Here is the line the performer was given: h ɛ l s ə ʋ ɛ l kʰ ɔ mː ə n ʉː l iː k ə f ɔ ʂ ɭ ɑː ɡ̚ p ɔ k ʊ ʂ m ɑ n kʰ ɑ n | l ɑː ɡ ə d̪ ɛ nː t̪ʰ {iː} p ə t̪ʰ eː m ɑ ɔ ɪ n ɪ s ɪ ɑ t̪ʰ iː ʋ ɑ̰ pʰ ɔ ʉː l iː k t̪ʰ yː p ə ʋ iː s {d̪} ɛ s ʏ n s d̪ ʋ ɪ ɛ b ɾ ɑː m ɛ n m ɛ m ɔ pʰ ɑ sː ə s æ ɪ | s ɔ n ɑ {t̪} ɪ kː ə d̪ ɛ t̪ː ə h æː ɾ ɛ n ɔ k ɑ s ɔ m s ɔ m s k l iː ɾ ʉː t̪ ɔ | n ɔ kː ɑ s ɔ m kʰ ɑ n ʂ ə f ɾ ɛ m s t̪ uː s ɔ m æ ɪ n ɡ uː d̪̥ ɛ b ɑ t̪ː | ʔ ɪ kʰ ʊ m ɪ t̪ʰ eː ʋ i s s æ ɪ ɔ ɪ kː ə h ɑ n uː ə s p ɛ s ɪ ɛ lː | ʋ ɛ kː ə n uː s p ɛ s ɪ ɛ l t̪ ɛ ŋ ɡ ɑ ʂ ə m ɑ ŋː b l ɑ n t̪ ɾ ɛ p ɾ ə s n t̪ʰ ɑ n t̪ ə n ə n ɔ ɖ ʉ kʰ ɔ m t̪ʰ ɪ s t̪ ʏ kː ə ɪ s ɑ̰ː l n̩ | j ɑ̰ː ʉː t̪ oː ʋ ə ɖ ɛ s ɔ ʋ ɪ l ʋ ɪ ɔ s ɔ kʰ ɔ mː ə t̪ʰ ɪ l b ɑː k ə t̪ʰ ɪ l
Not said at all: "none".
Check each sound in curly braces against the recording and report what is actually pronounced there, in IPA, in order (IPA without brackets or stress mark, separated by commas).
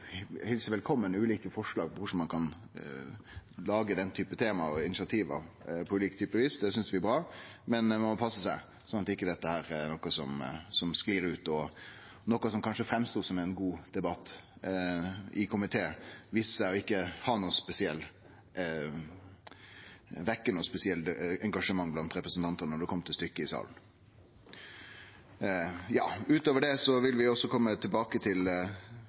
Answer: yː, d̪, t̪